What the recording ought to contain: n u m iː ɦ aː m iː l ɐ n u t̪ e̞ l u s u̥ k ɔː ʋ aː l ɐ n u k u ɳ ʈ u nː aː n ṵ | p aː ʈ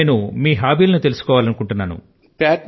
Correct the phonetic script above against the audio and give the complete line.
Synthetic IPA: n u m iː ɦ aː b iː l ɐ n u t̪ e̞ l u s u̥ k ɔː ʋ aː l ɐ n u k u ɳ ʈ u nː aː n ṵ | p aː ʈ